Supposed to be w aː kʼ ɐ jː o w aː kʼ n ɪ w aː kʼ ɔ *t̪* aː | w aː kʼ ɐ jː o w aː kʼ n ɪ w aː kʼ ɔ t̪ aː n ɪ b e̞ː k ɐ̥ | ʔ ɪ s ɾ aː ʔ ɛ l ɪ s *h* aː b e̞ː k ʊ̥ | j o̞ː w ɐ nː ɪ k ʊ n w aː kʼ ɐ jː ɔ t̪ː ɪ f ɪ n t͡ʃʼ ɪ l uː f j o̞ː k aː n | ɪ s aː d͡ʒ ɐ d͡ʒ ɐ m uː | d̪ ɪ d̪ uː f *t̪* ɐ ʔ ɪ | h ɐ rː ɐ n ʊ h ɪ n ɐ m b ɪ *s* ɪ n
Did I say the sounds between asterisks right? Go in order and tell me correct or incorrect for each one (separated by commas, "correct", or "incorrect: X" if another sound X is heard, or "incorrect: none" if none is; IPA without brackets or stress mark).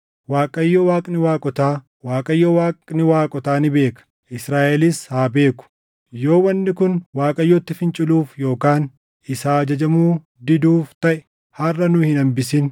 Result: correct, correct, correct, correct